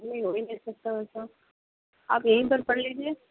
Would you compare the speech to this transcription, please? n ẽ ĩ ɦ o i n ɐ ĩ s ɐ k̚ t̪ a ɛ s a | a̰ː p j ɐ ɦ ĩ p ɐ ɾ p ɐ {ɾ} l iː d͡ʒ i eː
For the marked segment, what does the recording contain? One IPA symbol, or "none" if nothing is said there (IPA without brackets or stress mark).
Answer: ɽ